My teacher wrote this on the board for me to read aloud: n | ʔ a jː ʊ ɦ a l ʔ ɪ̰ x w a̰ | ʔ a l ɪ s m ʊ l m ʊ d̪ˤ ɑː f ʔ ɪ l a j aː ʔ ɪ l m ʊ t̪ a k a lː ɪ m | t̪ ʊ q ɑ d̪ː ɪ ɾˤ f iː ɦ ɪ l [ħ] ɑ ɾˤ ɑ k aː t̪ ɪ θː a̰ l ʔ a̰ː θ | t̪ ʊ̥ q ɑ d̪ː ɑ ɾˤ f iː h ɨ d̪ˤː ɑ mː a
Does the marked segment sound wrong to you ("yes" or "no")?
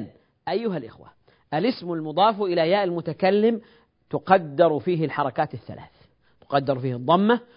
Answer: no